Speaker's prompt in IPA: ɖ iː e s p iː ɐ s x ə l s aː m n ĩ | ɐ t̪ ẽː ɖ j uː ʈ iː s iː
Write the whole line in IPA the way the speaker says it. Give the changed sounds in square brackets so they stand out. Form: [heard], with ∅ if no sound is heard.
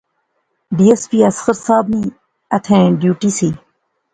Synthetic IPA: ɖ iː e s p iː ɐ s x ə [ɾ] s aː [b] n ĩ | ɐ [t̪ʰ] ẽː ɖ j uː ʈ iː s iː

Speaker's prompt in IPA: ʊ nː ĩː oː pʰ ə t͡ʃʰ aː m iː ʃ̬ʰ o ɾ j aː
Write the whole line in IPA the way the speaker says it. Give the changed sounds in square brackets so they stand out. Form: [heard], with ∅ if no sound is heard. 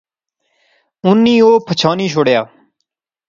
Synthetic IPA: ʊ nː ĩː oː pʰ ə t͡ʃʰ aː [n] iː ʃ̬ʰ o [ɽ] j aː

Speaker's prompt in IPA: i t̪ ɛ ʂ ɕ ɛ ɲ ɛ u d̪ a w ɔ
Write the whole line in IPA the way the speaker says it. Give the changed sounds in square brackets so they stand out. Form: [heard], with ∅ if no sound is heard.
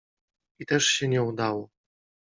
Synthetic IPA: i t̪ ɛ ʂ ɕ ɛ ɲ ɛ u d̪ a w ɔ

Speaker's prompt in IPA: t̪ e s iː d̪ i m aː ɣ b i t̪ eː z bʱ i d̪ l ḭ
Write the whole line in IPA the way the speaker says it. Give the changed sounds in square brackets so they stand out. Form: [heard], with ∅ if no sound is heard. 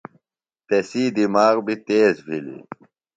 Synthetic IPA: t̪ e s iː d̪ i m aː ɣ b i t̪ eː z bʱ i [∅] l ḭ

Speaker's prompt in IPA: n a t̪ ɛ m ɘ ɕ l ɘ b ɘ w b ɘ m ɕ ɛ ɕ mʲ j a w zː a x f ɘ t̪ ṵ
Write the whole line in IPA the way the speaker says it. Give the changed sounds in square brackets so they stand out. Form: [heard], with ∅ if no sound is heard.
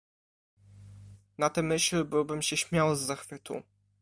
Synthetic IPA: n a t̪ ɛ m ɘ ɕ l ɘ b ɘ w b ɘ m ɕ ɛ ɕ mʲ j a w zː a x f ɘ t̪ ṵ

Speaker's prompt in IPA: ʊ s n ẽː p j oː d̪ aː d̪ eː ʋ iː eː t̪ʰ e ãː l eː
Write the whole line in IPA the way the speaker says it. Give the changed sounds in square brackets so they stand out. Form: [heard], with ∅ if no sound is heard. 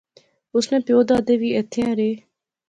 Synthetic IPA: ʊ s n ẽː p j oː d̪ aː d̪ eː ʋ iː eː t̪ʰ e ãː [ɾ] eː

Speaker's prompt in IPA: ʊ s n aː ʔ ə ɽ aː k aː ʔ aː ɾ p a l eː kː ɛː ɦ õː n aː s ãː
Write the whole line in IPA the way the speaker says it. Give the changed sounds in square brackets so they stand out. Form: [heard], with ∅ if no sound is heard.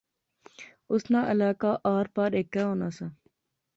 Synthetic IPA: ʊ s n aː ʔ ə [l] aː k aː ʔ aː ɾ p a [ɾ] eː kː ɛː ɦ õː n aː s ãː

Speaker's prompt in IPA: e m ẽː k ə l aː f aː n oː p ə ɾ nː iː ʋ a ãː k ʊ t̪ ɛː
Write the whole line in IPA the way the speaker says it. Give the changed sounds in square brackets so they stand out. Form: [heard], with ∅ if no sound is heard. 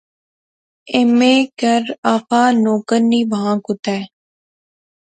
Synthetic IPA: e m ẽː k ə [ɾ] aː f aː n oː [k] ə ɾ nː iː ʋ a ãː k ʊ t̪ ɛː

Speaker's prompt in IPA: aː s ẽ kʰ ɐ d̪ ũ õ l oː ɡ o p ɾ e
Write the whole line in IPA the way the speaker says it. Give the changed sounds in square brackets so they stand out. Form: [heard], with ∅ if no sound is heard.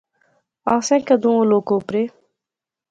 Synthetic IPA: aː s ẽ [k] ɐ d̪ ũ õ l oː [k] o p ɾ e

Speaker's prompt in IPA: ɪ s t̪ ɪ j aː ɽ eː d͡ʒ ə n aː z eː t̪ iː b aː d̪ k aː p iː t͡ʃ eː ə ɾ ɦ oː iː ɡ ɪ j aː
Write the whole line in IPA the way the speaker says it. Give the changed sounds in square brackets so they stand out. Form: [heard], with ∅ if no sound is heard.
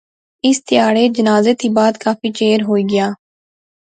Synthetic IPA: ɪ s t̪ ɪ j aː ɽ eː d͡ʒ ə n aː z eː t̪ iː b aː d̪ k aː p iː t͡ʃ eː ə ɾ ɦ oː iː ɡ ɪ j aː

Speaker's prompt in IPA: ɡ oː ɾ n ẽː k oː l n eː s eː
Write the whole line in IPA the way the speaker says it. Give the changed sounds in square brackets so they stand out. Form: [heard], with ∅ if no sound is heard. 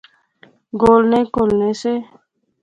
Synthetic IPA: ɡ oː [l] n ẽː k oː l n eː s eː

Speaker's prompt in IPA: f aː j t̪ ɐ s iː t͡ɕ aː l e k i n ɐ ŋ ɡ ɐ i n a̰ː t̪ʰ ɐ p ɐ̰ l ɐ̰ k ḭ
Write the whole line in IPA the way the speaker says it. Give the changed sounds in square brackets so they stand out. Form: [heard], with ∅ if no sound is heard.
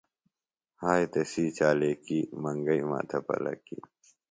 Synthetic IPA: [h] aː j t̪ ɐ s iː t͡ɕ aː l e k i [m] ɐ ŋ ɡ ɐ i [m] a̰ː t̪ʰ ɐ p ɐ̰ l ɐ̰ k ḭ

